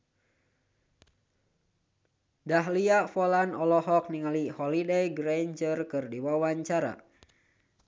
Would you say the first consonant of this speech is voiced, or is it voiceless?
voiced